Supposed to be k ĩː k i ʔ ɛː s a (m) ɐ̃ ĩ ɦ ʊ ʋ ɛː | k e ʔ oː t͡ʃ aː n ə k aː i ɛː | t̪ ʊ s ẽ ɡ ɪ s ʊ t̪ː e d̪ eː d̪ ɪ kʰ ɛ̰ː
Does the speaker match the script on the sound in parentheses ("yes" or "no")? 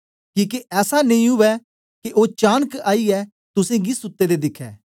no